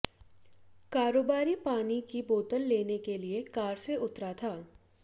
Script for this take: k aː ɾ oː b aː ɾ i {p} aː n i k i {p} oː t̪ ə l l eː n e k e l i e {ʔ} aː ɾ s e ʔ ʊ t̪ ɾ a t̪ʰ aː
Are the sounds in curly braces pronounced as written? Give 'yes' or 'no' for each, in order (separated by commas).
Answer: yes, no, no